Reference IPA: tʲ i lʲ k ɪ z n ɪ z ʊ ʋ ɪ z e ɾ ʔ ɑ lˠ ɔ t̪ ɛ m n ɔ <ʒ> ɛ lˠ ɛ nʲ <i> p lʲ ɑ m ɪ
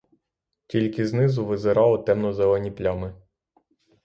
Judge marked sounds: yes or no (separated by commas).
no, yes